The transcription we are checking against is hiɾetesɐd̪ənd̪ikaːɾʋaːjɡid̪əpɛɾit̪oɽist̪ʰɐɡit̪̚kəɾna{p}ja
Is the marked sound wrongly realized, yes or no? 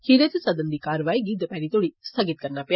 no